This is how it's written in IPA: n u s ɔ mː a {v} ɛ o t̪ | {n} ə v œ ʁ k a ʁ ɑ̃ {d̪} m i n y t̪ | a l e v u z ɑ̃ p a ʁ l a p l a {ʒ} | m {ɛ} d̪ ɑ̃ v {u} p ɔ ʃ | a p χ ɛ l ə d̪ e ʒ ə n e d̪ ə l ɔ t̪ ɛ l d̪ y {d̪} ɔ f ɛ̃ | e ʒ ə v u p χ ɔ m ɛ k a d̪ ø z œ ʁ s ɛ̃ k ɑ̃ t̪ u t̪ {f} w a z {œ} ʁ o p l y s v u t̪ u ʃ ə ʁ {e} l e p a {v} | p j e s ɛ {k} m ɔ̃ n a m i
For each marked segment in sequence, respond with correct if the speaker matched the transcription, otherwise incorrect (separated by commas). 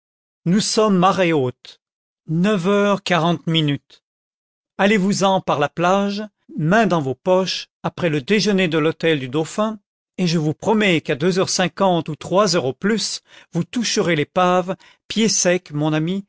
incorrect, correct, incorrect, correct, incorrect, incorrect, correct, incorrect, correct, correct, correct, correct